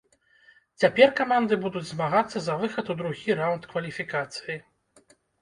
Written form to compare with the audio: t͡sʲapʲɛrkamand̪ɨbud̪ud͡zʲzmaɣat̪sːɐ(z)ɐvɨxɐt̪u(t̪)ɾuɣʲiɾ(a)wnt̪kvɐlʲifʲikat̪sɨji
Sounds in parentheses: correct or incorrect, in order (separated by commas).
correct, incorrect, correct